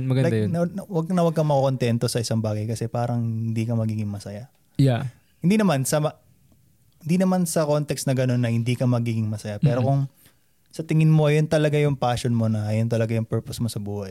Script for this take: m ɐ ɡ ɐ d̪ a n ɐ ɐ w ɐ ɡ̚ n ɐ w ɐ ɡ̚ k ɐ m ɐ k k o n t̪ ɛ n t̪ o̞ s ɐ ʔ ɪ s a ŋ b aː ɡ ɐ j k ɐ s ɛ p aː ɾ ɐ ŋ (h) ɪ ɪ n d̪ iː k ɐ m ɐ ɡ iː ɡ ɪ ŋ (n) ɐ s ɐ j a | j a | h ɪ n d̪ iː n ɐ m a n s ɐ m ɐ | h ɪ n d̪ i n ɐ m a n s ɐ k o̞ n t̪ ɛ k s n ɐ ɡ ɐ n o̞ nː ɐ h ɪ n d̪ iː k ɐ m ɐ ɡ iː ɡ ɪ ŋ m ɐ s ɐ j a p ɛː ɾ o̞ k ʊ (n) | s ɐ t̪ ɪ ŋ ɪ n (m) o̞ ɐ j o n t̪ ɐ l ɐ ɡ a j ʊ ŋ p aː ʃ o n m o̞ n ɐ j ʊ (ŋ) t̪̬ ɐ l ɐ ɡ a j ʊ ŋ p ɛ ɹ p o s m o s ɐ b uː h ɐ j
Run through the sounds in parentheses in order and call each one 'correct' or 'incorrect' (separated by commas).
correct, incorrect, incorrect, correct, incorrect